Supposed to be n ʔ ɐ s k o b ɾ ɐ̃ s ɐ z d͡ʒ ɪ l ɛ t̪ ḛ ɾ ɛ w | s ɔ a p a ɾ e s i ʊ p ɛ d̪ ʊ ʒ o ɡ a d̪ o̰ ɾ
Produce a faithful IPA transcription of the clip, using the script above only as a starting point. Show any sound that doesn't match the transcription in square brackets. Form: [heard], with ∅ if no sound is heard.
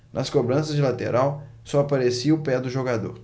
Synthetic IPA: n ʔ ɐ s k o b ɾ ɐ̃ s ɐ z d͡ʒ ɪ l [a] t̪ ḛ ɾ [a] w | s ɔ a p a ɾ e s i ʊ p ɛ d̪ ʊ ʒ o ɡ a d̪ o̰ ɾ